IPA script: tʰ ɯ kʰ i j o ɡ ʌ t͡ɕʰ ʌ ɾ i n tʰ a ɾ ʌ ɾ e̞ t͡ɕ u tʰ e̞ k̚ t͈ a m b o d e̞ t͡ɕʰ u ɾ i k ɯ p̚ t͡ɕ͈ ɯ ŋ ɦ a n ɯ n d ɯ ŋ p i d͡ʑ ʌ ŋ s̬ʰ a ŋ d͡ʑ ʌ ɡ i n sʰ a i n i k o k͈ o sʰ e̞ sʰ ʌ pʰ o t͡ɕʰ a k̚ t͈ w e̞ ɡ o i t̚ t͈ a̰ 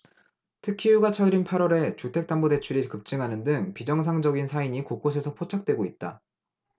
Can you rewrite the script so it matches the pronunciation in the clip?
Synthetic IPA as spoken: tʰ ɯ kʰ i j u ɡ a t͡ɕʰ ʌ ɾ i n pʰ a ɾ ʌ ɾ e̞ t͡ɕ u tʰ e̞ k̚ t͈ a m b o d e̞ t͡ɕʰ u ɾ i k ɯ p̚ t͡ɕ͈ ɯ ŋ ɦ a n ɯ n d ɯ ŋ p i d͡ʑ ʌ ŋ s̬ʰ a ŋ d͡ʑ ʌ ɡ i n sʰ a i ɲ i k o k͈ o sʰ e̞ sʰ ʌ pʰ o t͡ɕʰ a k̚ t͈ w e̞ ɡ o i t̚ t͈ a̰

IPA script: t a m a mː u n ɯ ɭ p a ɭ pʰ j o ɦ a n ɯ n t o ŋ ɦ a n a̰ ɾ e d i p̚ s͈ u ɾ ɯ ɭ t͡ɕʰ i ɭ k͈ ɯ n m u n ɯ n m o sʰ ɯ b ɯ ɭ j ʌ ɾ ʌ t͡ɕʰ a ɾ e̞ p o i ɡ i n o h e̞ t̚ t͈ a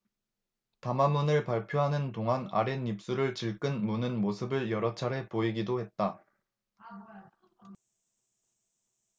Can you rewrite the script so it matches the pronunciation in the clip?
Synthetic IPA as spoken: t a m a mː u n ɯ ɭ p a ɭ pʰ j o ɦ a n ɯ n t o ŋ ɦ a n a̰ ɾ e n i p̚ s͈ u ɾ ɯ ɭ t͡ɕ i ɭ k͈ ɯ n m u n ɯ n m o sʰ ɯ b ɯ ɭ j ʌ ɾ ʌ t͡ɕʰ a ɾ e̞ p o i ɡ i d o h e̞ t̚ t͈ a

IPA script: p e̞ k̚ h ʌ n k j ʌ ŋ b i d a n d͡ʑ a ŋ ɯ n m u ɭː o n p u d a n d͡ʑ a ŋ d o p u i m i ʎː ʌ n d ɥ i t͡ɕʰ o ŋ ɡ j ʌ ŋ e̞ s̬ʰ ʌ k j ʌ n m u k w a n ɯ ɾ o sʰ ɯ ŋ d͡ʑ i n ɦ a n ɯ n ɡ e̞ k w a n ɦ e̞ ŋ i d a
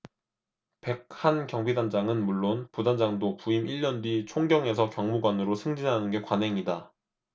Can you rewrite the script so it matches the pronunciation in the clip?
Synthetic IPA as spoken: p e̞ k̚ h a n k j ʌ ŋ b i d a n d͡ʑ a ŋ ɯ n m u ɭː o n p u d a n d͡ʑ a ŋ d o p u i m i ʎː ʌ n d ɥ i t͡ɕʰ o ŋ ɡ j ʌ ŋ e̞ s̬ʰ ʌ k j ʌ ŋ m u ɡ w a n ɯ ɾ o sʰ ɯ ŋ d͡ʑ i n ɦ a n ɯ n ɡ e̞ k w a n ɦ e̞ ŋ i d a

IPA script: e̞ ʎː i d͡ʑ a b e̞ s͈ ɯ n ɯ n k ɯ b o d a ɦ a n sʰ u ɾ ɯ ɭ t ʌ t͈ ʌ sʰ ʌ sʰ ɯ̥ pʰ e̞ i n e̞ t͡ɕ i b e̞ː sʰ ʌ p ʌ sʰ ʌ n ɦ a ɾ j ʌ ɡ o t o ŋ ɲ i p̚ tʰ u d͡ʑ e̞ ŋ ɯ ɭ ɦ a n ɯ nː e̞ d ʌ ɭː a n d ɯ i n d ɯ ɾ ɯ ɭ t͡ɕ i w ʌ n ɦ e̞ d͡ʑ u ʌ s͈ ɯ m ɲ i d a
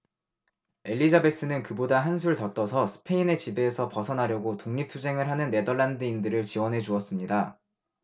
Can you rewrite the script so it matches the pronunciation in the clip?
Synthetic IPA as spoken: e̞ ʎː i d͡ʑ a b e̞ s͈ ɯ n ɯ n k ɯ b o d a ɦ a n sʰ u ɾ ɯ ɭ t ʌ t͈ ʌ sʰ ʌ sʰ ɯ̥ pʰ e̞ i n e̞ t͡ɕ i b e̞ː sʰ ʌ p ʌ sʰ ʌ n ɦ a ɾ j ʌ ɡ o t o ŋ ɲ i p̚ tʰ u d͡ʑ e̞ ŋ ɯ ɭ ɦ a n ɯ nː e̞ d ʌ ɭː a n d ɯ i n d ɯ ɾ ɯ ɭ t͡ɕ i w ʌ n ɦ e̞ d͡ʑ u ʌ s͈ ɯ m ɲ i d a

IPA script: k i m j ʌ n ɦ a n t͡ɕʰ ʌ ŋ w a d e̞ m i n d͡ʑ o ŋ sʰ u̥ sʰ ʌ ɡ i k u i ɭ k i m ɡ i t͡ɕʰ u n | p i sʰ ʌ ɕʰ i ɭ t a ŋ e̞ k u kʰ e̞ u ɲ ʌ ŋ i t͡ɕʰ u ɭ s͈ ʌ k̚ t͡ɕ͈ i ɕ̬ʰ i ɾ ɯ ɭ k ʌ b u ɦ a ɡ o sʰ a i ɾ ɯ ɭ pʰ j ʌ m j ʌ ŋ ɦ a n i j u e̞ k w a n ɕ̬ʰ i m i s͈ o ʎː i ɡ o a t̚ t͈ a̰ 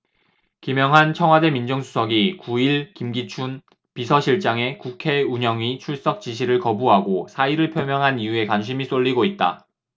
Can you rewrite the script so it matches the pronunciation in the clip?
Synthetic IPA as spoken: k i m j ʌ ŋ ɦ a n t͡ɕʰ ʌ ŋ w a d e̞ m i n d͡ʑ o ŋ sʰ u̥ sʰ ʌ ɡ i k u i ɭ k i m ɡ i t͡ɕʰ u n | p i sʰ ʌ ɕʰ i ɭ t͡ɕ͈ a ŋ e̞ k u kʰ e̞ u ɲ ʌ ŋ i t͡ɕʰ u ɭ s͈ ʌ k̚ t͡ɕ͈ i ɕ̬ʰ i ɾ ɯ ɭ k ʌ b u ɦ a ɡ o sʰ a i ɾ ɯ ɭ pʰ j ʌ m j ʌ ŋ ɦ a n i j u e̞ k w a n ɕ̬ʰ i m i s͈ o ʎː i ɡ o i t̚ t͈ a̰

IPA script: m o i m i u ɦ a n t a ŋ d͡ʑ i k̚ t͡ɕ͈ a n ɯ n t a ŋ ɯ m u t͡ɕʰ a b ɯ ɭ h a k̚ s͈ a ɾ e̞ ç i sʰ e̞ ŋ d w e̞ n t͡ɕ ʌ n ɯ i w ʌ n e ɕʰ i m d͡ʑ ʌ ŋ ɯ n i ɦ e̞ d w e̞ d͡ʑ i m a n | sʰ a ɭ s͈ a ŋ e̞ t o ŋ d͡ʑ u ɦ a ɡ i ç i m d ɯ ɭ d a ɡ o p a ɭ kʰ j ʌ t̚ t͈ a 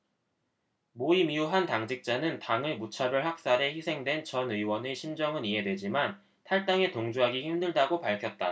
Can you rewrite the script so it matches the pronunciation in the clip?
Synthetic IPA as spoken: m o i m i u ɦ a n t a ŋ d͡ʑ i k̚ t͡ɕ͈ a n ɯ n t a ŋ ɯ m u t͡ɕʰ a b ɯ ɭ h a k̚ s͈ a ɾ e̞ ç i sʰ e̞ ŋ d w e̞ n t͡ɕ ʌ n ɯ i w ʌ n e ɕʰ i m d͡ʑ ʌ ŋ ɯ n i ɦ e̞ d w e̞ d͡ʑ i m a n | tʰ a ɭ t͈ a ŋ e̞ t o ŋ d͡ʑ u ɦ a ɡ i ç i m d ɯ ɭ d a ɡ o p a ɭ kʰ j ʌ t̚ t͈ a

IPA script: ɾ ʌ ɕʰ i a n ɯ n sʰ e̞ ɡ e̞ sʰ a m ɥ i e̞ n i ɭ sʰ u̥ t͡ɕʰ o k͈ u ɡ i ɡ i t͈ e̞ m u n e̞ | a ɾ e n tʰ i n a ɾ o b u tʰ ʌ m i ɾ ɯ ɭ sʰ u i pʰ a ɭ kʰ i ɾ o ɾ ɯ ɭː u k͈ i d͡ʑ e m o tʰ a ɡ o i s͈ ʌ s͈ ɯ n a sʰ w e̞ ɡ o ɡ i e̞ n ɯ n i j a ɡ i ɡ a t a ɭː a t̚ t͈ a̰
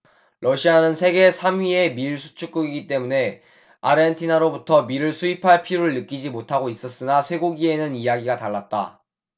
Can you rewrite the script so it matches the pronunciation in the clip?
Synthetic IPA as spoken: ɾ ʌ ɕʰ i a n ɯ n sʰ e̞ ɡ e̞ sʰ a m ɥ i e̞ m i ɭ sʰ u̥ t͡ɕʰ u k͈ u ɡ i ɡ i t͈ e̞ m u n e̞ | a ɾ e n tʰ i n a ɾ o b u tʰ ʌ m i ɾ ɯ ɭ sʰ u i pʰ a ɭ pʰ i ɾ o ɾ ɯ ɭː ɯ k͈ i d͡ʑ i m o tʰ a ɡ o i s͈ ʌ s͈ ɯ n a sʰ w e̞ ɡ o ɡ i e̞ n ɯ n i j a ɡ i ɡ a t a ɭː a t̚ t͈ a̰

